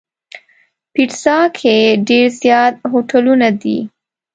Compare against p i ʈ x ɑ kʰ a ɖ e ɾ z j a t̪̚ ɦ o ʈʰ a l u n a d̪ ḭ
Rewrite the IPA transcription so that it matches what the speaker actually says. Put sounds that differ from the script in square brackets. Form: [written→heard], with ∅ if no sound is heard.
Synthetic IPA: p i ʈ [x→s] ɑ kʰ [a→e] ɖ e ɾ z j [a→ɑ] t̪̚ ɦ o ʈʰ a l u n a d̪ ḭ